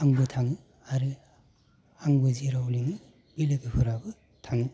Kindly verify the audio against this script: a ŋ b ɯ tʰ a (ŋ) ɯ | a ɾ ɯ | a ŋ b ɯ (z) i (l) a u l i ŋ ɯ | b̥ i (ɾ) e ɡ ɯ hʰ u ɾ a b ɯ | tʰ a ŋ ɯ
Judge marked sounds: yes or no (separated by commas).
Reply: yes, yes, no, no